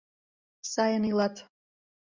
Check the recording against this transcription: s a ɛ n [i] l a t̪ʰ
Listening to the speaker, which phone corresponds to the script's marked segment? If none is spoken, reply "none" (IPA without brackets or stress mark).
i